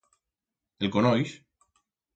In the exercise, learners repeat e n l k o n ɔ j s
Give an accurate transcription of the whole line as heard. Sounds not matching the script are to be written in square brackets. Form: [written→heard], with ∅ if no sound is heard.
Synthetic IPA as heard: e [n→∅] l k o n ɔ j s